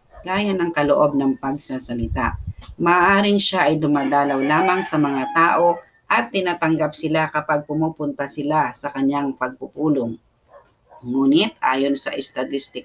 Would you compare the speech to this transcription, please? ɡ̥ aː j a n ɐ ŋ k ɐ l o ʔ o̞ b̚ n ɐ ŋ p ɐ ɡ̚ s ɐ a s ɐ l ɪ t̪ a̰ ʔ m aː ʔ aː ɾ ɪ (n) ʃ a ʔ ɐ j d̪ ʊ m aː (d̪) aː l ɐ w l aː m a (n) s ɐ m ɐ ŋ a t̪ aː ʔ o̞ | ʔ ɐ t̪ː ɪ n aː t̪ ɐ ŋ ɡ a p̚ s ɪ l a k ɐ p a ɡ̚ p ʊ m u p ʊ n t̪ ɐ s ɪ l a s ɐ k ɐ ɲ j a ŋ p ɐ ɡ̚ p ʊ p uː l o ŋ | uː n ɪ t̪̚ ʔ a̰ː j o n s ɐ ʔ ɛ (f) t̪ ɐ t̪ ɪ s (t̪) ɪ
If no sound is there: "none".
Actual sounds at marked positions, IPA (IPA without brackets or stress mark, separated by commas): ŋ, d̪, ŋ, s, t̪